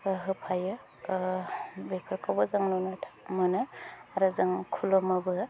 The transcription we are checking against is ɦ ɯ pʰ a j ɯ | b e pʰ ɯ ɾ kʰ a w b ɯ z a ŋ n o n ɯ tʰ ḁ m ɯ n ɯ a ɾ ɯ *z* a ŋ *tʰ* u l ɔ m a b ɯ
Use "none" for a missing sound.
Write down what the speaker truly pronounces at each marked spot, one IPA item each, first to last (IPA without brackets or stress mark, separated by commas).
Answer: z, kʰ